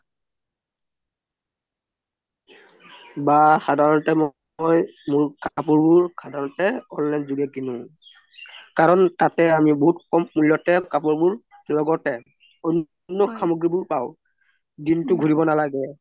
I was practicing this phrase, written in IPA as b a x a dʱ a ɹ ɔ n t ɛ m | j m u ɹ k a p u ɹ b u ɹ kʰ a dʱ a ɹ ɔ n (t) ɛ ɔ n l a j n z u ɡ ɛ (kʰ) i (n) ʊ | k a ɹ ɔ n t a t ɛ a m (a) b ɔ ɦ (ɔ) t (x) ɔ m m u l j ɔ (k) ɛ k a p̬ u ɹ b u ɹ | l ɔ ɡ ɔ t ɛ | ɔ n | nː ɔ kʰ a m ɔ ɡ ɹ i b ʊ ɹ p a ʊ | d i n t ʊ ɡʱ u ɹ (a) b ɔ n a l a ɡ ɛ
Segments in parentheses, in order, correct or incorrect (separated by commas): correct, incorrect, correct, incorrect, incorrect, incorrect, incorrect, incorrect